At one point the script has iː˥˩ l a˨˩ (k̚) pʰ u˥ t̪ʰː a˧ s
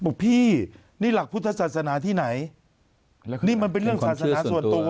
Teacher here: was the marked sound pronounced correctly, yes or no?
yes